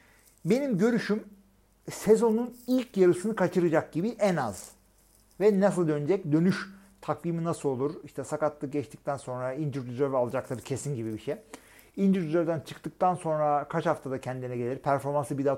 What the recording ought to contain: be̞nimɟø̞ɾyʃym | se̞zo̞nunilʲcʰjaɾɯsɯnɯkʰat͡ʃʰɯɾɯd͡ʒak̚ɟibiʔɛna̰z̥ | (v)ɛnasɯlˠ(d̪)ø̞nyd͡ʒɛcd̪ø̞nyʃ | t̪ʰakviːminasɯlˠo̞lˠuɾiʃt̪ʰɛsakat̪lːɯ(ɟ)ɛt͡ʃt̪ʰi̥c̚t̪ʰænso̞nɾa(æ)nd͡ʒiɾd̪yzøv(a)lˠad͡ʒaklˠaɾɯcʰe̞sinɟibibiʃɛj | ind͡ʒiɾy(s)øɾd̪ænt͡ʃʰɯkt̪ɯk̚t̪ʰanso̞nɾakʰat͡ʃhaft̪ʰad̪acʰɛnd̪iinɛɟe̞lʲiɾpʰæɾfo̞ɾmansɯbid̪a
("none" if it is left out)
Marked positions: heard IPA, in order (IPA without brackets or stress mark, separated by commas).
v, d̪, ɟ, i, a, z